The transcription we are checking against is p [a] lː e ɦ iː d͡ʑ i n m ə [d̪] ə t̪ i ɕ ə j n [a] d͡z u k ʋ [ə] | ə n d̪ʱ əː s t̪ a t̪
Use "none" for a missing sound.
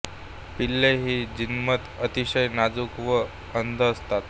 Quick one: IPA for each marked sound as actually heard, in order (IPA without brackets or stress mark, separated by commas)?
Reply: i, t̪, a, ə